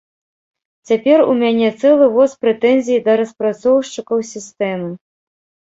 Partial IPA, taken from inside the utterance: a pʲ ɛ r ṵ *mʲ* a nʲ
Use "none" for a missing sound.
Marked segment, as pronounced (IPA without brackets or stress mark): mʲ